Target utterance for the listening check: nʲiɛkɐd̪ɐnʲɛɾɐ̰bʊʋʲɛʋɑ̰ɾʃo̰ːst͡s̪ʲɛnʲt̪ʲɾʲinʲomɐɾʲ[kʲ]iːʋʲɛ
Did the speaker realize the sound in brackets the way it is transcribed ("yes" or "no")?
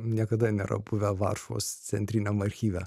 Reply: no